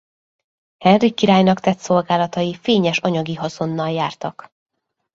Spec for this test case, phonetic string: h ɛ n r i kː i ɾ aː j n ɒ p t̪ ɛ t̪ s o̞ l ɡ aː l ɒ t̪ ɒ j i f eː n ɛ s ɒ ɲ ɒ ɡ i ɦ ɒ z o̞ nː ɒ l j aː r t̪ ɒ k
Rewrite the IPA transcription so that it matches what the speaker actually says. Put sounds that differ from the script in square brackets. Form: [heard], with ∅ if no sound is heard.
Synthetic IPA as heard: h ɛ n r i kː i ɾ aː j n ɒ [k] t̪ ɛ t̪ s o̞ l ɡ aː l ɒ t̪ ɒ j i f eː [ɲ] ɛ [ʃ] ɒ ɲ ɒ ɡ i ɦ ɒ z o̞ nː ɒ l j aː r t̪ ɒ k